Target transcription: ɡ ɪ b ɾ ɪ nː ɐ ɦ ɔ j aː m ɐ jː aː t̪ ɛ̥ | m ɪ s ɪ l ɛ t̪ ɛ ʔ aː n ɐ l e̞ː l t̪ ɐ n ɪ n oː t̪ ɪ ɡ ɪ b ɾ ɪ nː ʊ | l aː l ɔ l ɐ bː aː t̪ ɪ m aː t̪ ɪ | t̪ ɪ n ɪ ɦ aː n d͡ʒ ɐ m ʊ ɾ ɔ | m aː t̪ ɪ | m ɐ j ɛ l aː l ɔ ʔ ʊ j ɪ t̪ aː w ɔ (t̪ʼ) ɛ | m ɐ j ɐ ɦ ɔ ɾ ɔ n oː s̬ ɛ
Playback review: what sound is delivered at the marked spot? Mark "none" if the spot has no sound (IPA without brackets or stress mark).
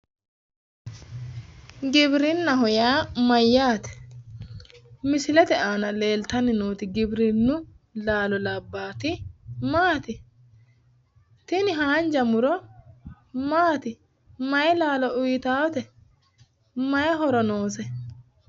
t̪